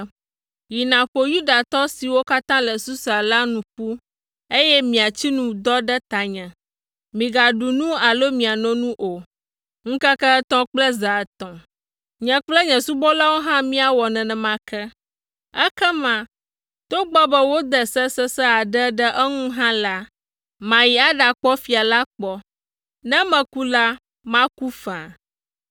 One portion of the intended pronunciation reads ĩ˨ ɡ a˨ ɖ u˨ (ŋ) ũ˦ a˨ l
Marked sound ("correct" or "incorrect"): incorrect